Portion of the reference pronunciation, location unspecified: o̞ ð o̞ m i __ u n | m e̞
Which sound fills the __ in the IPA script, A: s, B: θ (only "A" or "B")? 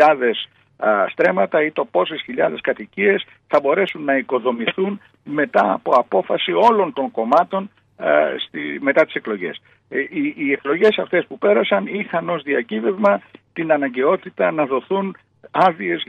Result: B